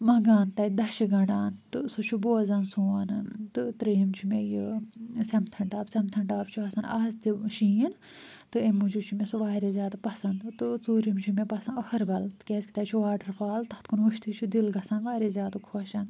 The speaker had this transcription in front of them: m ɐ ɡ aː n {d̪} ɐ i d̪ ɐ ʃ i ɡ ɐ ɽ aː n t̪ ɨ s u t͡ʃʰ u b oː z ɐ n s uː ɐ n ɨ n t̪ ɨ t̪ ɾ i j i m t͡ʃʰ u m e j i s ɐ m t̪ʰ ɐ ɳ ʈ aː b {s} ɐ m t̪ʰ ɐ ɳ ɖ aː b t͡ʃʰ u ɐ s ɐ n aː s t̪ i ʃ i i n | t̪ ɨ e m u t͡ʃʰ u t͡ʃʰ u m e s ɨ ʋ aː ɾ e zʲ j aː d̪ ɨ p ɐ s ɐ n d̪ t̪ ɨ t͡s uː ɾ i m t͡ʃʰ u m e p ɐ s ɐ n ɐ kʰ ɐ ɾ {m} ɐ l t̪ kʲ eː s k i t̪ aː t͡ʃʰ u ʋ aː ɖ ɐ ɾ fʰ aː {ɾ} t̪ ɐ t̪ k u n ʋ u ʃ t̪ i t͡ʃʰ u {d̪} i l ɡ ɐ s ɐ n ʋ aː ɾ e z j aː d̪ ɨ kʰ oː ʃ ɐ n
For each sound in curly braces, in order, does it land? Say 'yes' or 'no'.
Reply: no, yes, no, no, yes

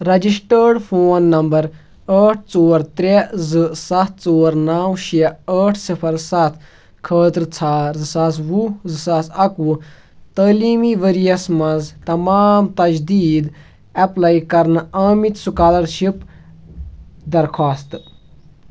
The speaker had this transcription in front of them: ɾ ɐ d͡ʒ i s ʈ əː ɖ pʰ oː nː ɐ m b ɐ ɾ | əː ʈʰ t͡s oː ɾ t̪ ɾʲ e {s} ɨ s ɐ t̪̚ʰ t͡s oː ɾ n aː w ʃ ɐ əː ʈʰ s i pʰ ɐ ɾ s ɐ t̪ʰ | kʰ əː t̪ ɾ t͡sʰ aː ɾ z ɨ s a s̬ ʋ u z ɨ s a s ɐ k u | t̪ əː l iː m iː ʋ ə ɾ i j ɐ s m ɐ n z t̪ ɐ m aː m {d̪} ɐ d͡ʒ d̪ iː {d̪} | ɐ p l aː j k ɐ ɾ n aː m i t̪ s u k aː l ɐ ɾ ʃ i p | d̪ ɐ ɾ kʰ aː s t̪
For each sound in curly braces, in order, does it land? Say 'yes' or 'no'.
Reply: no, no, yes

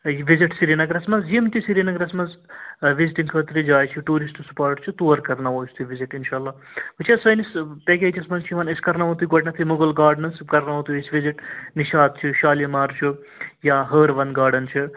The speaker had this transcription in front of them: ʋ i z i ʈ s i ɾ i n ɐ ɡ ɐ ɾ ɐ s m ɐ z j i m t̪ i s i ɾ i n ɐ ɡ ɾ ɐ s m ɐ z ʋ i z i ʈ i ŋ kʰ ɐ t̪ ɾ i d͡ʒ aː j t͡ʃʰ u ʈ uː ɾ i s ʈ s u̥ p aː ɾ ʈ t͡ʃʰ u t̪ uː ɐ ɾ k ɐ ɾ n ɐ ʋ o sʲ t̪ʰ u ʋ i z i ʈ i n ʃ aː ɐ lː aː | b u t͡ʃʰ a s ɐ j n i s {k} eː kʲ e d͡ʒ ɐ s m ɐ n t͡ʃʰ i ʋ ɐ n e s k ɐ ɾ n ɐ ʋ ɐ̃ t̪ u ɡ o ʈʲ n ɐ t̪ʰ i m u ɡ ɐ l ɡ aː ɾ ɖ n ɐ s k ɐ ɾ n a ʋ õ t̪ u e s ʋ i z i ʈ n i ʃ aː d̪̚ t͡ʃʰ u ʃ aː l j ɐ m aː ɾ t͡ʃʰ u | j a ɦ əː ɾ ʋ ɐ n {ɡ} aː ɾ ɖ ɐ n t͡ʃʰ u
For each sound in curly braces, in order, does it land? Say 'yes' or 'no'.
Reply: no, yes

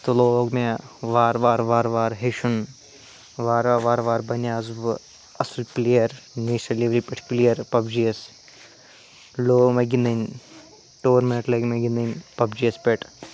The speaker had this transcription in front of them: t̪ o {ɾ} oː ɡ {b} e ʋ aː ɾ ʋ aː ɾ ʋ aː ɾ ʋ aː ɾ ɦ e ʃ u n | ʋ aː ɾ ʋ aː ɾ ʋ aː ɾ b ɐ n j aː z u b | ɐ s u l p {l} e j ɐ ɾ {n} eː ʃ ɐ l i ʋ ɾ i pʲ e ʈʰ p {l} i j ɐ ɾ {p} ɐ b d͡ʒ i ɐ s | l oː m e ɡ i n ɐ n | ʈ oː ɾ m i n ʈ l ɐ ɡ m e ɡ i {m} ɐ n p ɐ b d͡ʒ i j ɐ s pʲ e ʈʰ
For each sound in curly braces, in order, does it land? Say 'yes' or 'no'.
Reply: no, no, yes, yes, yes, yes, no

